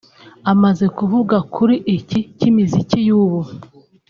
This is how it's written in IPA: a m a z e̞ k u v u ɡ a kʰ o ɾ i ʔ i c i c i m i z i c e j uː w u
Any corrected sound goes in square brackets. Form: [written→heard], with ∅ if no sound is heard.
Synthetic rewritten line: a m a z e̞ k u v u ɡ a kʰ [o→u] ɾ i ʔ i c i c i m i z i c [e→i] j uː [w→β] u